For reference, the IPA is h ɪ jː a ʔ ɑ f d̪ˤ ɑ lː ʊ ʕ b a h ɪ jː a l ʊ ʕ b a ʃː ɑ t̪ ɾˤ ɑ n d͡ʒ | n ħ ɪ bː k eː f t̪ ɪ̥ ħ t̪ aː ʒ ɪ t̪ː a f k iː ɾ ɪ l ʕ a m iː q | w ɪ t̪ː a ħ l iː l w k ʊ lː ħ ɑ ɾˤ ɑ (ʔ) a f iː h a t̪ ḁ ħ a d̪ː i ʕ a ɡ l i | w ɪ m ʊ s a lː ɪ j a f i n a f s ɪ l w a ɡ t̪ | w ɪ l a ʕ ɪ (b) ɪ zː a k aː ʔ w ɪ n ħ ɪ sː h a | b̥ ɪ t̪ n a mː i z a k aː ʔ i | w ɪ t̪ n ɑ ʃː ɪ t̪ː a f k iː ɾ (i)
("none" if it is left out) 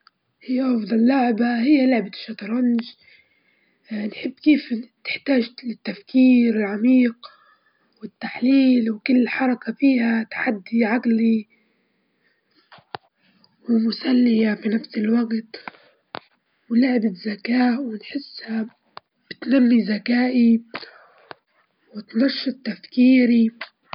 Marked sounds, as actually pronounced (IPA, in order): k, b, i

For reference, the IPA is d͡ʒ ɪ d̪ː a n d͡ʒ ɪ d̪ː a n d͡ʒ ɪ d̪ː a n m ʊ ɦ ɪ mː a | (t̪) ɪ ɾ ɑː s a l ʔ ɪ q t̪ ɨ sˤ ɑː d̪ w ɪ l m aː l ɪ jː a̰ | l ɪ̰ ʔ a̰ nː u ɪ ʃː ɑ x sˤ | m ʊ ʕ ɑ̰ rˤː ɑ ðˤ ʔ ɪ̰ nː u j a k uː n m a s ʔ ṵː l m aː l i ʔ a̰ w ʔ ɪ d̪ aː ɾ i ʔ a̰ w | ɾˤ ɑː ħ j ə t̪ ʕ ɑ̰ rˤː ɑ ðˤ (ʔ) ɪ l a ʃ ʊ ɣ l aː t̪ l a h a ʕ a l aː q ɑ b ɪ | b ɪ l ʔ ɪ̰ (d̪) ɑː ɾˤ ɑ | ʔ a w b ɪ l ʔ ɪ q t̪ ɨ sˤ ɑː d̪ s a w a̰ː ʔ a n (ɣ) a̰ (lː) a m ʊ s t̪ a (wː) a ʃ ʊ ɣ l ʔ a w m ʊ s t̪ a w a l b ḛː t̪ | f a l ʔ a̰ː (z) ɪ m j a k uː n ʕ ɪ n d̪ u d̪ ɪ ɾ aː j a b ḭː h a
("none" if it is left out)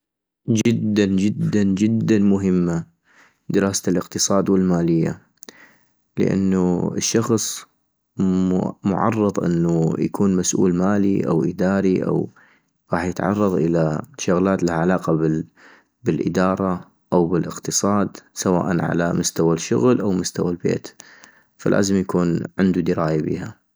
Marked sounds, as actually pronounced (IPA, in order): d̪, ʔ, d̪, ʕ, l, w, z

